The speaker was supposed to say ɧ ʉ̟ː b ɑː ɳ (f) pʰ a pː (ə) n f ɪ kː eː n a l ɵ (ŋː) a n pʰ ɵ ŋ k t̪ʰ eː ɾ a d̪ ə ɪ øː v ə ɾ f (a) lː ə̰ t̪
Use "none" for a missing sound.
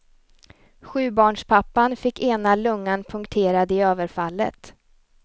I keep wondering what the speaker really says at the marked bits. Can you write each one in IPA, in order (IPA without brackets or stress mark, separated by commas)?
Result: ʂ, a, ŋː, a